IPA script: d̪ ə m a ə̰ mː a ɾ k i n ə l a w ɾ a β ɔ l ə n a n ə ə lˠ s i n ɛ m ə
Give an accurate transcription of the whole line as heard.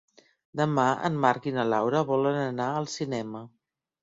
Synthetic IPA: d̪ ə m a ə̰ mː a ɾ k i n ə l a w ɾ ə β ɔ l ə n ə n a ə lˠ s i n ɛ m ə